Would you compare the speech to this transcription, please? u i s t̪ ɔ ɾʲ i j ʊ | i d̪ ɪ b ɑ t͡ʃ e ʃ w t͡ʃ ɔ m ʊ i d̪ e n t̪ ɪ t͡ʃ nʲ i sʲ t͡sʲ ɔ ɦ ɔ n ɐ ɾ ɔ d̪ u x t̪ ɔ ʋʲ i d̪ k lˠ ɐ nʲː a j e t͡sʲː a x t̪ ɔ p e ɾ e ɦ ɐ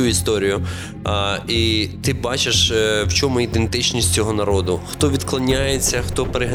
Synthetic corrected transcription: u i s t̪ ɔ ɾʲ i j ʊ | i t̪ ɪ b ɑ t͡ʃ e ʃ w t͡ʃ ɔ m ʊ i d̪ e n t̪ ɪ t͡ʃ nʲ i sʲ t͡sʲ ɔ ɦ ɔ n ɐ ɾ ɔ d̪ ʊ x t̪ ɔ ʋʲ i d̪ k lˠ ɐ nʲ a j e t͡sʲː ɐ x t̪ ɔ p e ɾ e ɦ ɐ